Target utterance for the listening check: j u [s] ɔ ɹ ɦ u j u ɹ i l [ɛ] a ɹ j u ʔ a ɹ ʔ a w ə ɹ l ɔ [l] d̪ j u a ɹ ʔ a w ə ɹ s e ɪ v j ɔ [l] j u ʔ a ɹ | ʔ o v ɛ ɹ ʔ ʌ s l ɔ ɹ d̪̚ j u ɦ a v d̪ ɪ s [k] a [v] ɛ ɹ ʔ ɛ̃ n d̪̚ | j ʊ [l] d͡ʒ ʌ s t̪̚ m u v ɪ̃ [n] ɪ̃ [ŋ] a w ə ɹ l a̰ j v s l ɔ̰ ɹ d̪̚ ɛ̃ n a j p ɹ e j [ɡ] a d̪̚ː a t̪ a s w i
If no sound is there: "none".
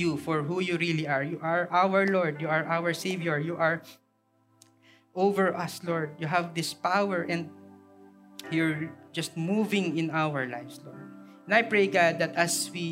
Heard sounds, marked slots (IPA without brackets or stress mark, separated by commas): f, i, ɹ, ɹ, p, w, ɹ, ŋ, n, ɡ